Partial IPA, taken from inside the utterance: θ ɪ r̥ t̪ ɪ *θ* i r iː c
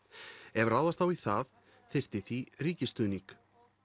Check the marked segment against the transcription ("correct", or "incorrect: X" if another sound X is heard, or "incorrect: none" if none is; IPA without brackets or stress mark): correct